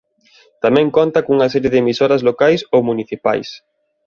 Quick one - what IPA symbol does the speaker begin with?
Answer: t̪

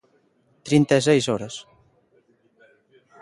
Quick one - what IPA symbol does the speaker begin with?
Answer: t̪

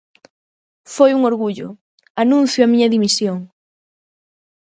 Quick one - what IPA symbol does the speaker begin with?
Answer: f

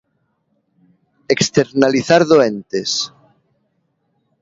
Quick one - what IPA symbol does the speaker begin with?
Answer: e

